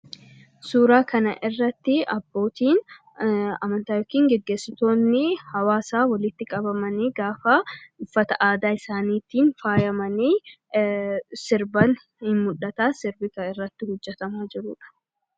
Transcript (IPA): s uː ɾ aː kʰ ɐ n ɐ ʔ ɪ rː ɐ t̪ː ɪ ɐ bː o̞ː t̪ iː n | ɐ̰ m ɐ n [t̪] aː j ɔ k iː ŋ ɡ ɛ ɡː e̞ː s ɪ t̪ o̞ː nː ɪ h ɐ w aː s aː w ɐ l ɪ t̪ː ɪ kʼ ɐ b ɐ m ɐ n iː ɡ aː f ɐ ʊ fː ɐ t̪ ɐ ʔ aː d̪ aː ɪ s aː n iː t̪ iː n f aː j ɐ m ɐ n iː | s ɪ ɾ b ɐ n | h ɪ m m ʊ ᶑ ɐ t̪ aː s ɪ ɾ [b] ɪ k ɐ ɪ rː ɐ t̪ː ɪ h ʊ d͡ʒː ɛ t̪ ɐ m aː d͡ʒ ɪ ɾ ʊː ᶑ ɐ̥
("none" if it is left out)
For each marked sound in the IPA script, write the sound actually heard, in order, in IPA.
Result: t̪, b

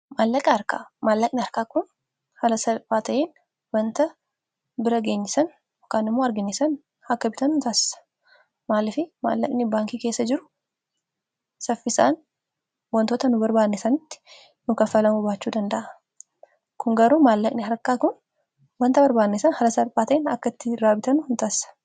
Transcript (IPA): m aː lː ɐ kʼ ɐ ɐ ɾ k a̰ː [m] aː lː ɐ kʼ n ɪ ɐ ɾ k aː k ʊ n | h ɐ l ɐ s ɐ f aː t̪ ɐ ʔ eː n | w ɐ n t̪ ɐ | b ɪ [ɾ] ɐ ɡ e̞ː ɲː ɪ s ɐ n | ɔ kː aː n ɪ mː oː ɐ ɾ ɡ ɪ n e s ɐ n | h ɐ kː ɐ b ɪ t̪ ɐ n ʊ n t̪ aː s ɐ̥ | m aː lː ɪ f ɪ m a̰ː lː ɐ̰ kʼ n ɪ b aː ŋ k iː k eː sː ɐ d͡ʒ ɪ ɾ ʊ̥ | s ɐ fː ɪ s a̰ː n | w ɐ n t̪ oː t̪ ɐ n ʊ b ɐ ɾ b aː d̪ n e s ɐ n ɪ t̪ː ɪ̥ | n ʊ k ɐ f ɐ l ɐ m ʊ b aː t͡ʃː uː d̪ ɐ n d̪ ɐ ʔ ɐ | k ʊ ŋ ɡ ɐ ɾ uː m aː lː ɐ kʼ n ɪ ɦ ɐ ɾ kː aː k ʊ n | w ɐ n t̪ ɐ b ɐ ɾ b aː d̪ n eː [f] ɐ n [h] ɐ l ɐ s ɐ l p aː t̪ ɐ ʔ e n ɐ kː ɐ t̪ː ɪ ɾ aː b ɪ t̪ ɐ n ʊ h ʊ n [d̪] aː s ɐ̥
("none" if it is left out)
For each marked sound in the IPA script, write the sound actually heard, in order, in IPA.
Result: m, ɾ, s, h, t̪

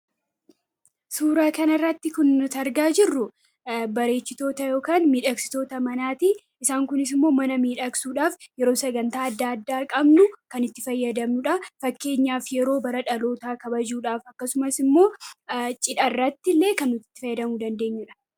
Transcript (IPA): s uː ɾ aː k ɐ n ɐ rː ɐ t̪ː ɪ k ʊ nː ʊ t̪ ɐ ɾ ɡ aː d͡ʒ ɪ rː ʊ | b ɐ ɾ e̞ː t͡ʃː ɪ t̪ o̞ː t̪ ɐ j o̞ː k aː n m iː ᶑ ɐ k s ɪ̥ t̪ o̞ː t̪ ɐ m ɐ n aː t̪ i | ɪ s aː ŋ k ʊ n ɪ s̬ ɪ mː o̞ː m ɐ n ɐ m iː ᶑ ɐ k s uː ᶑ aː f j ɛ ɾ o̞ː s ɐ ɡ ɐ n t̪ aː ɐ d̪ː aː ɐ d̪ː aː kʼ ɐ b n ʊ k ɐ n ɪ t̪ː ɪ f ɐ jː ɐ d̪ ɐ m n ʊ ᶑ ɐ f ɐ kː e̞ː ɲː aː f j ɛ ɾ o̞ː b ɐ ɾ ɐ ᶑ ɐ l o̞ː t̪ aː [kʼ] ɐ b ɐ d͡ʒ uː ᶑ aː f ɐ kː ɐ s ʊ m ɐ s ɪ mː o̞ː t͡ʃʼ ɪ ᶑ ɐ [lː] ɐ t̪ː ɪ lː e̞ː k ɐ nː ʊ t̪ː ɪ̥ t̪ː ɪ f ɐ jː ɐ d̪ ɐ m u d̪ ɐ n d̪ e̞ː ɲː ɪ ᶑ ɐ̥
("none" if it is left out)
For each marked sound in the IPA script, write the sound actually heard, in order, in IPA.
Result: k, rː

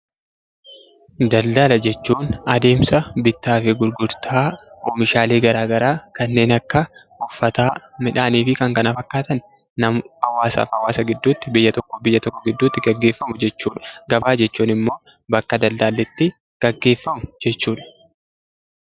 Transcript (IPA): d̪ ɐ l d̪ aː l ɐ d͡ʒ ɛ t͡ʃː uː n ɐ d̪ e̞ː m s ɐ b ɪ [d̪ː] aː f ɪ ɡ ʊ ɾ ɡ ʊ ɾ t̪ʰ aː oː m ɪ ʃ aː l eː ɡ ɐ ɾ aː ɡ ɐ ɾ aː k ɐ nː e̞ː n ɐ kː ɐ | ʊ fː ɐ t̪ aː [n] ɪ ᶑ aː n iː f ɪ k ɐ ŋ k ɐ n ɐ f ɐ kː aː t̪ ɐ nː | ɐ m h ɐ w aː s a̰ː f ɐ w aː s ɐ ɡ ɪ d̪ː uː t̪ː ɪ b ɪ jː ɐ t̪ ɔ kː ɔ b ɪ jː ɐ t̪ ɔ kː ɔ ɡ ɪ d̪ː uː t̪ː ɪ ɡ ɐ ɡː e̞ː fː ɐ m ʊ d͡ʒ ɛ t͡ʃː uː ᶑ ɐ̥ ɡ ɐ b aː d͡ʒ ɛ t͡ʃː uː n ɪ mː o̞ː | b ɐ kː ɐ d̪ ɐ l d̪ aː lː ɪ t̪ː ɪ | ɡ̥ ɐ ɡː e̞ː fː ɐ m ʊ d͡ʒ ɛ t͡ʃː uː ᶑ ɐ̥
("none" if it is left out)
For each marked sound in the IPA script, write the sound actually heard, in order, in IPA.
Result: t̪ː, m

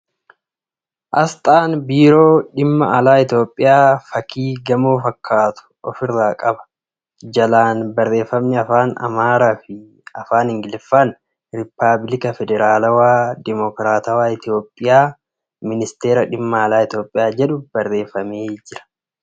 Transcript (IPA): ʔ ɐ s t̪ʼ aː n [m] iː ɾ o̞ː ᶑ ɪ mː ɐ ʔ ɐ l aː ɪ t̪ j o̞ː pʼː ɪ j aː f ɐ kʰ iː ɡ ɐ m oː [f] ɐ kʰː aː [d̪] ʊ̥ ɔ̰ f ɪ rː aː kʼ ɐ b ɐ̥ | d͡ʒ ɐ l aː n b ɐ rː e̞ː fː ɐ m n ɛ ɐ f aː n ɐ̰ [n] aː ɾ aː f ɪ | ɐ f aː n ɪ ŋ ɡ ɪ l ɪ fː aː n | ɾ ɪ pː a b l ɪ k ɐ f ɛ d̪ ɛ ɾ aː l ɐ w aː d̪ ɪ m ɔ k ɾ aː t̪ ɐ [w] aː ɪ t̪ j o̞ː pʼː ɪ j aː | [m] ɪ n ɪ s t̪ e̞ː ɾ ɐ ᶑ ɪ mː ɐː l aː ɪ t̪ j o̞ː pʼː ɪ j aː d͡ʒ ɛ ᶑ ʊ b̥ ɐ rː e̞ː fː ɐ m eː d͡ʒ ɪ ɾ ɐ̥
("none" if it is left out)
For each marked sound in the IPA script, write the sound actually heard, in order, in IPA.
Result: b, f, t̪, m, w, m

